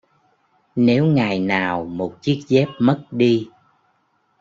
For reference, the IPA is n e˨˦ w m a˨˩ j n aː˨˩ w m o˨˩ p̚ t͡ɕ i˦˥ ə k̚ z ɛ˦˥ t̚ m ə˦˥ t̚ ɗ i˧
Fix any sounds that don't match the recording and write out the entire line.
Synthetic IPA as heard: n e˨˦ w ŋ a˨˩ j n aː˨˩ w m o˨˩ t̚ t͡ɕ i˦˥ ə k̚ z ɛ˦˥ p̚ m ə˦˥ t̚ ɗ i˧